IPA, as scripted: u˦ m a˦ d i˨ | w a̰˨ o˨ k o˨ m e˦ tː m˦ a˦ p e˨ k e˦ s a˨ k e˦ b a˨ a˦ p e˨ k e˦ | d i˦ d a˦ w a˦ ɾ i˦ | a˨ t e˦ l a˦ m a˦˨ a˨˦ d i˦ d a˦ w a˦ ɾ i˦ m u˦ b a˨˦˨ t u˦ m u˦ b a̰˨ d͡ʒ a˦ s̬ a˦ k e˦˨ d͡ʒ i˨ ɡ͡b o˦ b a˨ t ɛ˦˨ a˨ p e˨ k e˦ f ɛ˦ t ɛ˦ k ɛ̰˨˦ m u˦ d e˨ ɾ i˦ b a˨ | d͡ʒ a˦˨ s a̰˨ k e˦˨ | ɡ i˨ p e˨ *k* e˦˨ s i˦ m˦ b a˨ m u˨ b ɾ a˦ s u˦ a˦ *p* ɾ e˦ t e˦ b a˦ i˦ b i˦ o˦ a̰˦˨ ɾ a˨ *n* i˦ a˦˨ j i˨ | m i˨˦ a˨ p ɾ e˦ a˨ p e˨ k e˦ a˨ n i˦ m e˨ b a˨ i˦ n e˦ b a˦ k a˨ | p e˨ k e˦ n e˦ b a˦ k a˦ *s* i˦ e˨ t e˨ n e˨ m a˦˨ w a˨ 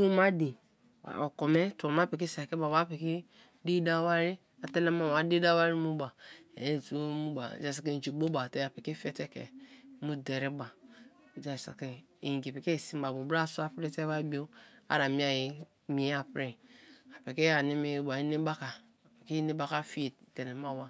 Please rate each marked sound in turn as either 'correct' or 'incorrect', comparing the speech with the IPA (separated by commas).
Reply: correct, correct, incorrect, incorrect